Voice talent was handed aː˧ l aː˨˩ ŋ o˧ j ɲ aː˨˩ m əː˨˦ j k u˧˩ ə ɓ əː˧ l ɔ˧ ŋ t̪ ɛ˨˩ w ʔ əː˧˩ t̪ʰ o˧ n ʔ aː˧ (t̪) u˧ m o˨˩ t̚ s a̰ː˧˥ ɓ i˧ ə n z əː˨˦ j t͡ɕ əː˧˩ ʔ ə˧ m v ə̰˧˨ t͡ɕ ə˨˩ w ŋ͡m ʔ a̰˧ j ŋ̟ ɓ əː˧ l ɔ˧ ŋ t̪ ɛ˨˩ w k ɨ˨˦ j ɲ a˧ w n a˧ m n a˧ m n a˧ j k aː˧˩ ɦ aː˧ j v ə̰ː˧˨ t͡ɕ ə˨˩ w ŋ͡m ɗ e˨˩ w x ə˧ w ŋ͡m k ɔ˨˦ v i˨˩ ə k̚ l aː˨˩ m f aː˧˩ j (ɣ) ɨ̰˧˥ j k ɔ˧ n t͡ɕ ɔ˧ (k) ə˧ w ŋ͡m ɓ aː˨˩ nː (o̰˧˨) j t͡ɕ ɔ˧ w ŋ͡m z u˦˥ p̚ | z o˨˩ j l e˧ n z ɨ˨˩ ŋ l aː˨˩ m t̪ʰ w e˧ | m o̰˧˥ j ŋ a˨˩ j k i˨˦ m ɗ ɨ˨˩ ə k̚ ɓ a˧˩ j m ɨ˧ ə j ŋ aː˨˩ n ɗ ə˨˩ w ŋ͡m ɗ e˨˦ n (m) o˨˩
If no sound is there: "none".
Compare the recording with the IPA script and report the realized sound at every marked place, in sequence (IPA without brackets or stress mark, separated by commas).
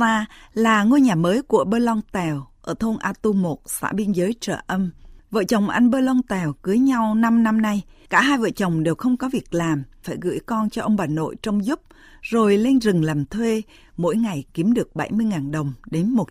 t̪, ɣ, ʔ, o̰˧˨, m